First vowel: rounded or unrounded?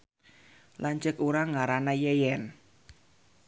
unrounded